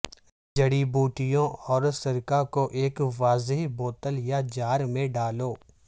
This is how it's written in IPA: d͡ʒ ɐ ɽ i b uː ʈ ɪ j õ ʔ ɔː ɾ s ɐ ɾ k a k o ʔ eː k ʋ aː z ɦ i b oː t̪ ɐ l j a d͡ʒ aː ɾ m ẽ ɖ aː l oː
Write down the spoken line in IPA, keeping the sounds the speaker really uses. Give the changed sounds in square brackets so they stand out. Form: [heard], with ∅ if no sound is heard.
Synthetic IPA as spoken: d͡ʒ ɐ ɽ i b uː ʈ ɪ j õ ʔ ɔː ɾ s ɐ ɾ k a k o ʔ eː k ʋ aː z ɦ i b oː t̪ [ə] l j a d͡ʒ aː ɾ m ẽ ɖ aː l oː